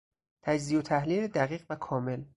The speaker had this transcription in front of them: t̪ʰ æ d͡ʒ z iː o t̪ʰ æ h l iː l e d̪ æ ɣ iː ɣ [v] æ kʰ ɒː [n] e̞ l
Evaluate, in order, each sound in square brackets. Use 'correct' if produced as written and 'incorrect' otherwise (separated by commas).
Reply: correct, incorrect